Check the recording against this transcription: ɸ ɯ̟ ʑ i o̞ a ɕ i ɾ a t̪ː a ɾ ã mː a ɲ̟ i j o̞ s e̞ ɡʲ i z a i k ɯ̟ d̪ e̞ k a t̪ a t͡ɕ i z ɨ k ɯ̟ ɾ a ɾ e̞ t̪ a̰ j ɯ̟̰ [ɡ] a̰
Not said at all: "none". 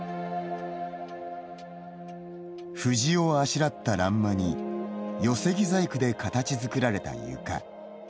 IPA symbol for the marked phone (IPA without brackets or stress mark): k